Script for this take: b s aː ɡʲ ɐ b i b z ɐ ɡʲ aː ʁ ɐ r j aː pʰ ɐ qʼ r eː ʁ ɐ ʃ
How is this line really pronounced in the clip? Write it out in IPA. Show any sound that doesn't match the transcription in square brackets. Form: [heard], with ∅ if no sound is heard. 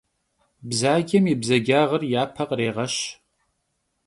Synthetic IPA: b [z] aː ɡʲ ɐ [m] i b z ɐ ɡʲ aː ʁ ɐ r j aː pʰ ɐ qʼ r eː ʁ ɐ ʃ